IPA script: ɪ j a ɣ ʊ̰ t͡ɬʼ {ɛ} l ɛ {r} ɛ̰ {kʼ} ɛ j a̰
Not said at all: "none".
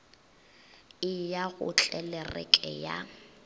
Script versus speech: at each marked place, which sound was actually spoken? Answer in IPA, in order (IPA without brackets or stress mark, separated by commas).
ɛ, r, kʼ